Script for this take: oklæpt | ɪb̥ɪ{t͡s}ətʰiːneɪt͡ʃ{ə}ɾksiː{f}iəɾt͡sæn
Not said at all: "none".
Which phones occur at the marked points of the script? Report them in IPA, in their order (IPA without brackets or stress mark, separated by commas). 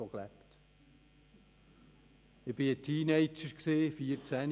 none, ə, f